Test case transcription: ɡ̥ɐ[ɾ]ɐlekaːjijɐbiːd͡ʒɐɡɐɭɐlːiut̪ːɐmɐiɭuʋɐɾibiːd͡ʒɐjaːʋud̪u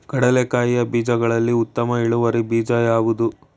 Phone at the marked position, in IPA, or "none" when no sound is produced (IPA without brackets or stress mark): ɽ